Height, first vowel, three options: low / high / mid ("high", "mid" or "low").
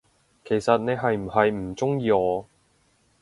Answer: mid